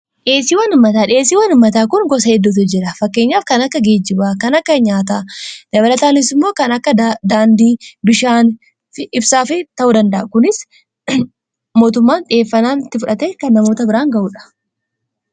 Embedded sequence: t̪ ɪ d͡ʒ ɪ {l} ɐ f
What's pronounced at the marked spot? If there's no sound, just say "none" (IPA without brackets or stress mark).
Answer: ɾ